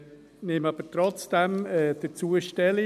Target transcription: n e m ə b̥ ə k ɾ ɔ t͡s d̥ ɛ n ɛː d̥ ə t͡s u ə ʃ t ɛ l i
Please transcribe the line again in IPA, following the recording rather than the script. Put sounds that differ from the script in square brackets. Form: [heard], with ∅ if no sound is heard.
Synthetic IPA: n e m [ɑ] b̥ ə [t] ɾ ɔ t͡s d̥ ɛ [m] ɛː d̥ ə t͡s u ə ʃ t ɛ l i